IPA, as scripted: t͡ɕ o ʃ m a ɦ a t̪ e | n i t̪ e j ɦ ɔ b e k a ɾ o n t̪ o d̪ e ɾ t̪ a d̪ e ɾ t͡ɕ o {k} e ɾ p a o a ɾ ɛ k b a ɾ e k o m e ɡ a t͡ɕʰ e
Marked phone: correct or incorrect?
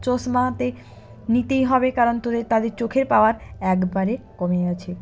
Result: incorrect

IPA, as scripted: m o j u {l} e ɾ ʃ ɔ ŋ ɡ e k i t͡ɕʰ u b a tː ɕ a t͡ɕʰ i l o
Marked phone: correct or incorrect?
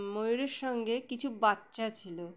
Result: incorrect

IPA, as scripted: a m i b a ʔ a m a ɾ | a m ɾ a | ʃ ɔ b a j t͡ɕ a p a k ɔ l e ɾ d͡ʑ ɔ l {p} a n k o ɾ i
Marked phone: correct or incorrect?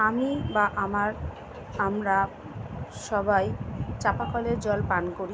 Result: correct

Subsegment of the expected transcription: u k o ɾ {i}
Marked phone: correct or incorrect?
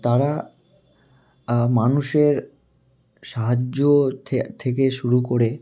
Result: incorrect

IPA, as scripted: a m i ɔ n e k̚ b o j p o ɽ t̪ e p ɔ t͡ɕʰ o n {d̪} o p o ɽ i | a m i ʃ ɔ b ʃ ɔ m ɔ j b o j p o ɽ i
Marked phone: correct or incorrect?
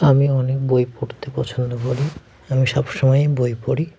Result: correct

